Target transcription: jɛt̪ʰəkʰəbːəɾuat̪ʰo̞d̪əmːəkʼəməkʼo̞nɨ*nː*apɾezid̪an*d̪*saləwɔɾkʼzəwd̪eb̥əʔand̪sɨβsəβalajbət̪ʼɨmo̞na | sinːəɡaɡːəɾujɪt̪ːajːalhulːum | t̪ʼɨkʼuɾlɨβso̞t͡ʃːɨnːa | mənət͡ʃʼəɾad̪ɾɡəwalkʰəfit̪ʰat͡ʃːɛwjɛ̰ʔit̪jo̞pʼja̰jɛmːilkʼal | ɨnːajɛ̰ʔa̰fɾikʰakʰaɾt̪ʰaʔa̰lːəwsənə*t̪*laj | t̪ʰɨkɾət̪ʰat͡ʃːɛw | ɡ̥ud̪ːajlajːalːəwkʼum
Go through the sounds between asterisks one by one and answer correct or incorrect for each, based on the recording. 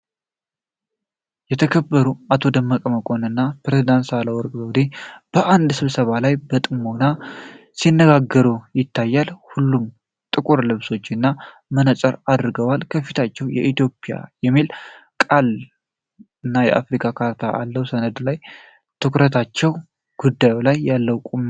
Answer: correct, incorrect: t̪, incorrect: d̪

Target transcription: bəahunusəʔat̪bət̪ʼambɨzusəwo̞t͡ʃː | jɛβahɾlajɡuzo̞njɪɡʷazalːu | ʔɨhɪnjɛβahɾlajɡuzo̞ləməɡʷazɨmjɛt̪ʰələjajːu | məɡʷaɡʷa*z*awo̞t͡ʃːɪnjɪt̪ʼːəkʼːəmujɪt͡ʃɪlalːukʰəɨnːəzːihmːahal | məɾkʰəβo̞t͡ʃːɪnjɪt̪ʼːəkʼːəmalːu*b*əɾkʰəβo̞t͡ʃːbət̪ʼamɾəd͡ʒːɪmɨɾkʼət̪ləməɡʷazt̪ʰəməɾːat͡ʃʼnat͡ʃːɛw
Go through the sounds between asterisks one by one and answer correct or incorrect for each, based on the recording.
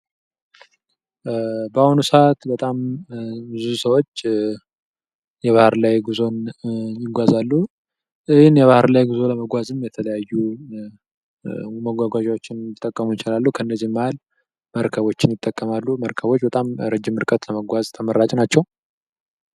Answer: incorrect: ʒ, incorrect: m

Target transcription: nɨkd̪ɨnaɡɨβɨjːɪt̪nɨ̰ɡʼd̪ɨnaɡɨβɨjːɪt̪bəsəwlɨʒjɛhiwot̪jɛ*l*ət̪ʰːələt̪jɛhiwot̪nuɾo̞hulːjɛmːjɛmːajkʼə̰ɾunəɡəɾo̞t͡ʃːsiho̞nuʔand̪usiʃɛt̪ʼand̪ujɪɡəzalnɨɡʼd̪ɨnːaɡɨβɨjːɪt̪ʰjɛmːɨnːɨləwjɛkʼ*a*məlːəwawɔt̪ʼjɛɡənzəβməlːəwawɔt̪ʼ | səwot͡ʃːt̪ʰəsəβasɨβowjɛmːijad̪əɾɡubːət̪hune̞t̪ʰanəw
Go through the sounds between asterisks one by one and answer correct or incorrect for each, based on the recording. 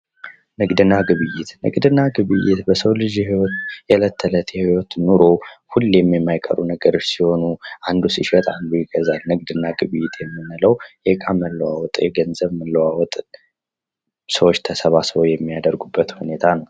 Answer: correct, correct

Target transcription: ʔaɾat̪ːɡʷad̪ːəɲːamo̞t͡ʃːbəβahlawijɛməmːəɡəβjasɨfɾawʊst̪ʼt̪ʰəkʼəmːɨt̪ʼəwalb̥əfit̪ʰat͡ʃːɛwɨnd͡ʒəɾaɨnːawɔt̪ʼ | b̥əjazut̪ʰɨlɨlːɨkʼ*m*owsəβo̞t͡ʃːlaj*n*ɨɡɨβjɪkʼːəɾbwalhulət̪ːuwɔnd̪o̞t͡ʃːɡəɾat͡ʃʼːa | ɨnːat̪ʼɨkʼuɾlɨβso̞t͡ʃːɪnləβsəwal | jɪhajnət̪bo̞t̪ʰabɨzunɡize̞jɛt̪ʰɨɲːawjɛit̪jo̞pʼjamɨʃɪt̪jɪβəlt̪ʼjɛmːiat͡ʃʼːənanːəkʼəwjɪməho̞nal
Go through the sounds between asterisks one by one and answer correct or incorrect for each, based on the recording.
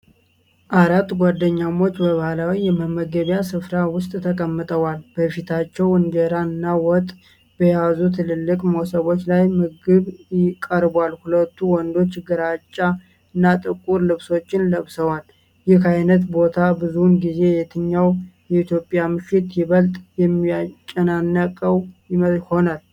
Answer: correct, incorrect: m

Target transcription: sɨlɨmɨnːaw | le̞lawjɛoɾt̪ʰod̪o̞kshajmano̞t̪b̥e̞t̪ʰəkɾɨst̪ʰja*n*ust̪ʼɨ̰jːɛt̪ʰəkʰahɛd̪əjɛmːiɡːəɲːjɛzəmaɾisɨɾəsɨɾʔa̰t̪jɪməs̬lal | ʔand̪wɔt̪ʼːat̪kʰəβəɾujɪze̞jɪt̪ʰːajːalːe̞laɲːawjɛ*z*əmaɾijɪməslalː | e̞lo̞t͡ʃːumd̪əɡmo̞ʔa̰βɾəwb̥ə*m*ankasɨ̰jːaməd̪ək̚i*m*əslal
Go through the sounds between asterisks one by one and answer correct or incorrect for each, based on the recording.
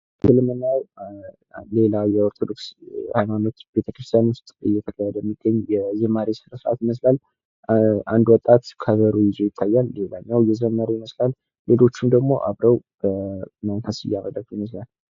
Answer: correct, correct, correct, correct

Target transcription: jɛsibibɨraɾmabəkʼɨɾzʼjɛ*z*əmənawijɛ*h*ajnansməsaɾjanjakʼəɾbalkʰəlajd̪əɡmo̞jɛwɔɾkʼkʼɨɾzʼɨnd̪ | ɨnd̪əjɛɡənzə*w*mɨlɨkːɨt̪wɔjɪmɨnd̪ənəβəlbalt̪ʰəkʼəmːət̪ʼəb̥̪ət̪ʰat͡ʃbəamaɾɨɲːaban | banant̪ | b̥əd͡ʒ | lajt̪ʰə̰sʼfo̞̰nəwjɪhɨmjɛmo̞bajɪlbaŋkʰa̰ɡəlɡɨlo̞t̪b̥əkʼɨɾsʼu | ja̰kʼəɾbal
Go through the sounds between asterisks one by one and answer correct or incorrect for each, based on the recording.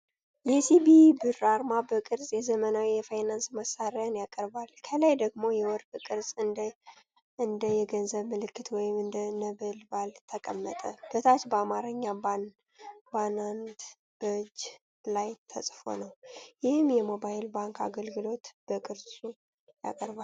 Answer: correct, incorrect: f, incorrect: β

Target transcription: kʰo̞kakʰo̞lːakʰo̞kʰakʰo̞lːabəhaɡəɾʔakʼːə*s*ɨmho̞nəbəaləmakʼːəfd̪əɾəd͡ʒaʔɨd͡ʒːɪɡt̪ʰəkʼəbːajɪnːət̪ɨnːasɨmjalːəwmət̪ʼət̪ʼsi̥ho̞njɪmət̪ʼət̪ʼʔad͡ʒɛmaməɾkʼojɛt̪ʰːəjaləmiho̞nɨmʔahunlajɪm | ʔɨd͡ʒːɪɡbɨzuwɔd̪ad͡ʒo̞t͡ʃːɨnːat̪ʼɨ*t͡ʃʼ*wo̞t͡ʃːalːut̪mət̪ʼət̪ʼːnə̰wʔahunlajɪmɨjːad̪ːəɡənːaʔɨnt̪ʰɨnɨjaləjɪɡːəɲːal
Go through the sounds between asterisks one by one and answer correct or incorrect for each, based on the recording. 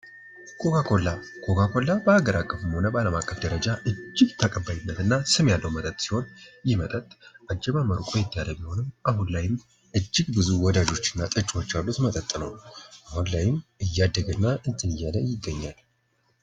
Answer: incorrect: f, correct

